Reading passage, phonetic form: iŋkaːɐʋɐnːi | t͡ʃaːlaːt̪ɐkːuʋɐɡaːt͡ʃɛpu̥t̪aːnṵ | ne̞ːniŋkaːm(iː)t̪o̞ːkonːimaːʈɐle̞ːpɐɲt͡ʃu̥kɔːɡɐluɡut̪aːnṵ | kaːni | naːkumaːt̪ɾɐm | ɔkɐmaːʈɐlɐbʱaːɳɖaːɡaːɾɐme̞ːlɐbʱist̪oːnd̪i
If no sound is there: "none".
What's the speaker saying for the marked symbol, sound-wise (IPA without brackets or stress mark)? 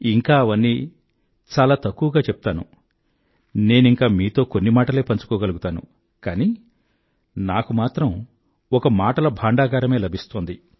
iː